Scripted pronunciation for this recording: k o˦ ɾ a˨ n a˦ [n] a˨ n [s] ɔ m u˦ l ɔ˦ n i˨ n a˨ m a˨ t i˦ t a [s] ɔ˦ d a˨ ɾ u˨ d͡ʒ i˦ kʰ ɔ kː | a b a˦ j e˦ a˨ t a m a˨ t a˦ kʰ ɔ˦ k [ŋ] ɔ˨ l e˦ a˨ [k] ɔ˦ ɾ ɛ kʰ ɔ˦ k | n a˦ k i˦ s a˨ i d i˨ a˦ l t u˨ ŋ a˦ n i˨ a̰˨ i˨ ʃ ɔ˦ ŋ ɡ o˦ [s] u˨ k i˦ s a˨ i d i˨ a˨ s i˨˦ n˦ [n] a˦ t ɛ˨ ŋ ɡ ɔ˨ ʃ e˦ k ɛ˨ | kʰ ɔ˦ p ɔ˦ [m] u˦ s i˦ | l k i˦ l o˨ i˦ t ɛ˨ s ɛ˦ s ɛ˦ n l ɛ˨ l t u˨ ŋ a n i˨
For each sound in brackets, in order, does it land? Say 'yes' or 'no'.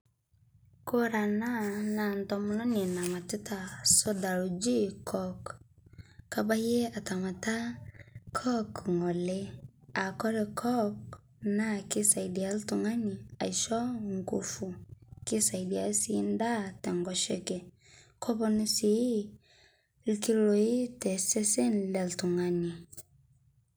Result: yes, no, yes, yes, yes, no, no, no

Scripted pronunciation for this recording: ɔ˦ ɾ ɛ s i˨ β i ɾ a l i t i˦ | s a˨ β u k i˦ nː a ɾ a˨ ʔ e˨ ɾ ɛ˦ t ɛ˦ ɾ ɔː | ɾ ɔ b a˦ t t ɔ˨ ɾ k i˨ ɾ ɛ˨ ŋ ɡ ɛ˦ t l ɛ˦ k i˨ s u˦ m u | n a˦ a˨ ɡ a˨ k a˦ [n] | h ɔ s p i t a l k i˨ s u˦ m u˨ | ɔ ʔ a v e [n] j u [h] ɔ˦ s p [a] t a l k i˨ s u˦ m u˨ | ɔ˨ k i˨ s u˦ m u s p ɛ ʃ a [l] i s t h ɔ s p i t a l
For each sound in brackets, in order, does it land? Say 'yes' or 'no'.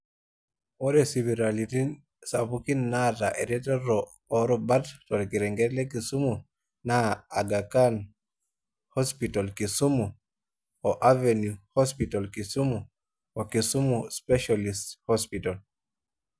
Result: yes, yes, yes, no, yes

